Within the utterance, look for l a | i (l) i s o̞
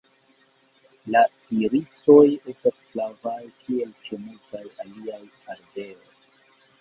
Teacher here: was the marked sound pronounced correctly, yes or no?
no